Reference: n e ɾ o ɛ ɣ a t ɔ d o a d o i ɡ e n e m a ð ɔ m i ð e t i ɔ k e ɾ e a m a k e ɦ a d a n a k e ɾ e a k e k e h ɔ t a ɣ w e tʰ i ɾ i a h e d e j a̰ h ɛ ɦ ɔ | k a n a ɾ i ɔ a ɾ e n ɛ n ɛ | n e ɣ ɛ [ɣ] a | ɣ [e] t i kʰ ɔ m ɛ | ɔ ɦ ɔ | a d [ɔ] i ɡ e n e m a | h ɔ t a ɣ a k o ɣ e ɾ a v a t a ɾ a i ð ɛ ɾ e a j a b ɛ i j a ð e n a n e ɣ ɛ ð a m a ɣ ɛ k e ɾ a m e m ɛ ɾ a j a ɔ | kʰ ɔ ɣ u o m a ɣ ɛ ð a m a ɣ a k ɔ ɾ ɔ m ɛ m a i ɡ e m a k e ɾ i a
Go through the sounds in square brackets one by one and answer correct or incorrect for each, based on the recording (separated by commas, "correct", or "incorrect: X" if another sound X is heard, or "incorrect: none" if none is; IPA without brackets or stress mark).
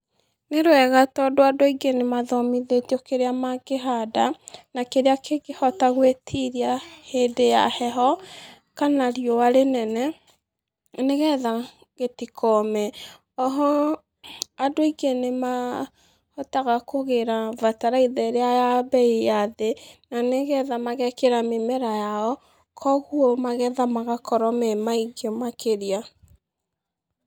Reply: incorrect: ð, correct, incorrect: o